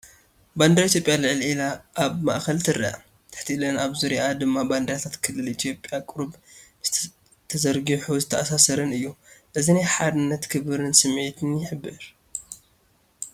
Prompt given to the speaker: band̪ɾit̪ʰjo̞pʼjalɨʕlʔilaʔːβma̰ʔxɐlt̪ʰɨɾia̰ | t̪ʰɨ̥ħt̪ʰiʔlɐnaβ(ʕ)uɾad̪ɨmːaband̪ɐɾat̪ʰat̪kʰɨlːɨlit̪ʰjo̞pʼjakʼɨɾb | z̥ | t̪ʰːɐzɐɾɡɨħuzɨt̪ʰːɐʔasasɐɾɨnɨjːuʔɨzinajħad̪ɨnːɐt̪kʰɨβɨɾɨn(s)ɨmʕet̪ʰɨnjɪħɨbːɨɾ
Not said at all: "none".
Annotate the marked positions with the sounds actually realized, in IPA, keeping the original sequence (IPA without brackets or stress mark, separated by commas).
z, s